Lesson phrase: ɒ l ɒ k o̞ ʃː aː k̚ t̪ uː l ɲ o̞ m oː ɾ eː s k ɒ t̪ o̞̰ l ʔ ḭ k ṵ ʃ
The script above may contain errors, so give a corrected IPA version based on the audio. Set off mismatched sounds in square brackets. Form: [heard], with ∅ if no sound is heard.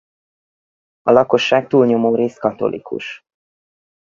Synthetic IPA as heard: ɒ l ɒ k o̞ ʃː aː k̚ t̪ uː l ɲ o̞ m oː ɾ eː s k ɒ t̪ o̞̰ l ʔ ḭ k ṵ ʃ